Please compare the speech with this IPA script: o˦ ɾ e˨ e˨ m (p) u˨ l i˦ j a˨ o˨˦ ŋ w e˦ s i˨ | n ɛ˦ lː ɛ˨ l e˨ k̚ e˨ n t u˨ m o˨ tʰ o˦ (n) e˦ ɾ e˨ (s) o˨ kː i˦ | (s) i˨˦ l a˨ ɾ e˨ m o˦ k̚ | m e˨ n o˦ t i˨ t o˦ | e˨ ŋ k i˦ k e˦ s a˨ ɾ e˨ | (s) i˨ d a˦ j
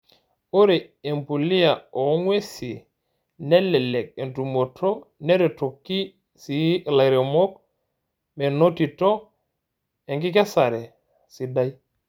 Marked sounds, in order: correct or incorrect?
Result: correct, correct, incorrect: t, correct, correct

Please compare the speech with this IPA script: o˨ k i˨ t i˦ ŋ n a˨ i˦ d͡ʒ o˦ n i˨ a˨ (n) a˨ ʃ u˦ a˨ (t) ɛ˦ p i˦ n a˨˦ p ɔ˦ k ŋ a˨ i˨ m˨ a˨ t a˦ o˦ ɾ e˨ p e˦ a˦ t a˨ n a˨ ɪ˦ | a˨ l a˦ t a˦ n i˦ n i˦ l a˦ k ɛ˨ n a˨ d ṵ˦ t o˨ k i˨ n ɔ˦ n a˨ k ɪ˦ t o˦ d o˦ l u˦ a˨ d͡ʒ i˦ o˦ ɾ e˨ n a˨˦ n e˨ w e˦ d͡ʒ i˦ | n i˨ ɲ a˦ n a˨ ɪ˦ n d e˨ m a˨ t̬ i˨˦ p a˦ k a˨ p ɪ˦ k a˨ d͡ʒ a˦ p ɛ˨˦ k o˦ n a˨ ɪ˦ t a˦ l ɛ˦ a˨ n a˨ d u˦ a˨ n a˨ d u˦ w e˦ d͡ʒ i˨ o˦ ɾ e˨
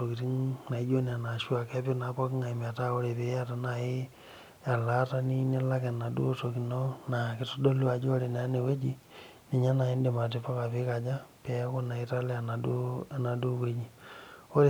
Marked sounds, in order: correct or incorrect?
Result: correct, incorrect: k

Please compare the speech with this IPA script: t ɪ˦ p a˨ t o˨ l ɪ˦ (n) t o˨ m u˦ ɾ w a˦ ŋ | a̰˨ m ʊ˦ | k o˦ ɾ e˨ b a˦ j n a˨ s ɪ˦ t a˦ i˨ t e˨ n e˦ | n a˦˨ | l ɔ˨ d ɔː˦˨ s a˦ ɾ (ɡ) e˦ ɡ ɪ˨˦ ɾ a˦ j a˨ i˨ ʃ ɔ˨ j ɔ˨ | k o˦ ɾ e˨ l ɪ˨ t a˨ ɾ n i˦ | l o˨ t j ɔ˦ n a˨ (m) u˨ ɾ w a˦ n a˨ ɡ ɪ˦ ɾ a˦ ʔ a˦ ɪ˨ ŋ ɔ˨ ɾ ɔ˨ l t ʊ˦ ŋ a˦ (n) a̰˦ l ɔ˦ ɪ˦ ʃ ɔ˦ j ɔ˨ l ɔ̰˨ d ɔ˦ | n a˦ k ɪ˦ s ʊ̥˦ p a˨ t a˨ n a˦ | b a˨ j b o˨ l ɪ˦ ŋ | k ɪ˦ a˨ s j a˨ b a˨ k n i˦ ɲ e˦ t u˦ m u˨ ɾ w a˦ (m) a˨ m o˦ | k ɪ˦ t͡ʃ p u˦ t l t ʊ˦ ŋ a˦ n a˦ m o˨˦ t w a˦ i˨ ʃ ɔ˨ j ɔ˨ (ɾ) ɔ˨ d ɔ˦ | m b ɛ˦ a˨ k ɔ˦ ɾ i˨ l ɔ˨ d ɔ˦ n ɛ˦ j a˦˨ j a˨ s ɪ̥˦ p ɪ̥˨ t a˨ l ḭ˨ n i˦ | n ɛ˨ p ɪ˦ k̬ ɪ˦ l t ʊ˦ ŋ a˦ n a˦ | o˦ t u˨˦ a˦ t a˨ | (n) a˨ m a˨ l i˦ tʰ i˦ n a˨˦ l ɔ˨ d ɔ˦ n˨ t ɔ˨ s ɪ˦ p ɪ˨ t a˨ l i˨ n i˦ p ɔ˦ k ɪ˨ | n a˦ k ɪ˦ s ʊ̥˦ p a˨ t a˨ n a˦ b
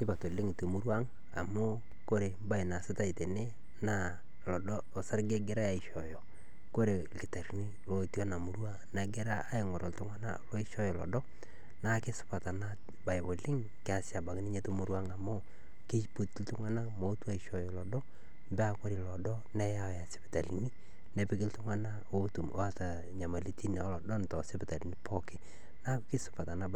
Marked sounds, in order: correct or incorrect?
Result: incorrect: ŋ, correct, correct, correct, incorrect: ŋ, incorrect: l, incorrect: ɲ

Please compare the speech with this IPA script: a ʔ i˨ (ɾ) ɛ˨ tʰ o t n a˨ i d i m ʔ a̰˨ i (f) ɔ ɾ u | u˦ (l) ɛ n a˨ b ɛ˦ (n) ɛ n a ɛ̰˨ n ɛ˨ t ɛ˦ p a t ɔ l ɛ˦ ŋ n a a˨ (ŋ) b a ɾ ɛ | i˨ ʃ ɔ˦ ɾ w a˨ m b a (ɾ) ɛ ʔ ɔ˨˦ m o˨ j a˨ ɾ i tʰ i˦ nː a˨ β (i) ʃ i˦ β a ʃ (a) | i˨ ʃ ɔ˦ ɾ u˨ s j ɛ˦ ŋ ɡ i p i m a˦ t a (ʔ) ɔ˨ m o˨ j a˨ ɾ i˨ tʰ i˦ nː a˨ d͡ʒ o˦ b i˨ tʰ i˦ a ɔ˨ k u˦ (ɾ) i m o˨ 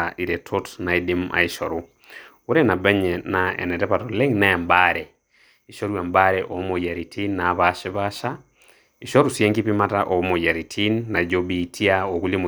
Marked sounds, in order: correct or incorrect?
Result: correct, incorrect: ʃ, incorrect: ɾ, incorrect: ɲ, incorrect: m, correct, incorrect: a, correct, correct, incorrect: l

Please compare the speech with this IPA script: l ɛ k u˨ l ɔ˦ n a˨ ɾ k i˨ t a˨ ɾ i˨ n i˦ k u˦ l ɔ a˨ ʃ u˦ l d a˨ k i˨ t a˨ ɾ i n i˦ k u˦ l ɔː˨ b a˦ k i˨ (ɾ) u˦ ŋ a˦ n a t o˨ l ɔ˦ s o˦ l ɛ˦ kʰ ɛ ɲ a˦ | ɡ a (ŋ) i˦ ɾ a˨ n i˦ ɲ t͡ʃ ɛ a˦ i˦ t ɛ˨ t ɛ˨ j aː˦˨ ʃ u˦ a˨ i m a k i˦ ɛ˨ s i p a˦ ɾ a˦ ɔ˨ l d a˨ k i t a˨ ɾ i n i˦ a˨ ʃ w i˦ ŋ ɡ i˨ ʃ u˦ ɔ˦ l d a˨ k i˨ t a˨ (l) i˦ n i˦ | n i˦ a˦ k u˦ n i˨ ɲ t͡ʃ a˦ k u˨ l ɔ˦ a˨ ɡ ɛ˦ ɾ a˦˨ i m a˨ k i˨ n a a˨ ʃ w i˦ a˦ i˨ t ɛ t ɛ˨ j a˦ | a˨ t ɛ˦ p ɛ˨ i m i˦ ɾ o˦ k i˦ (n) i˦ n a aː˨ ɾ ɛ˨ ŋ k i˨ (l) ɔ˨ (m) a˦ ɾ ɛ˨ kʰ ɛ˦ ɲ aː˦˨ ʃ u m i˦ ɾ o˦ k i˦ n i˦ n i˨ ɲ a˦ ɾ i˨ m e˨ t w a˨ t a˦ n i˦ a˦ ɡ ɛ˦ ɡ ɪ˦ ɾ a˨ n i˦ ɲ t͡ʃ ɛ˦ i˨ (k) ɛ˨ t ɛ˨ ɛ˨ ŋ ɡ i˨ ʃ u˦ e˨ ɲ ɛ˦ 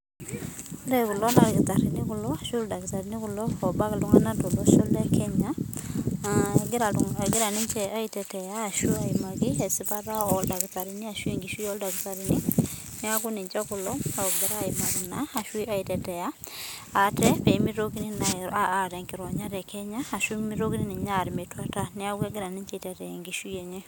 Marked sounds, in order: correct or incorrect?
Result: incorrect: l, incorrect: ɡ, incorrect: ɾ, correct, incorrect: ɾ, incorrect: ɲ, incorrect: t

